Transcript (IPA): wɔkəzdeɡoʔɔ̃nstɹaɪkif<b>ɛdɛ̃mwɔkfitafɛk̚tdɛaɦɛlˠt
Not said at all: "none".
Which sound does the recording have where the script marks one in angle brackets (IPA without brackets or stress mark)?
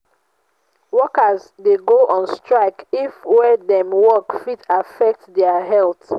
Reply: w